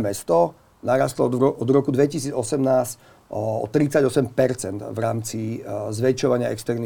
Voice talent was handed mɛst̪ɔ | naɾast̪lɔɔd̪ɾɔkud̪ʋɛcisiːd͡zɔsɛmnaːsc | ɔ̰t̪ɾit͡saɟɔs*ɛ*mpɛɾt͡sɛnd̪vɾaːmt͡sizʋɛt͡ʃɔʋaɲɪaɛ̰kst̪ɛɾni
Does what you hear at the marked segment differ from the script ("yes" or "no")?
no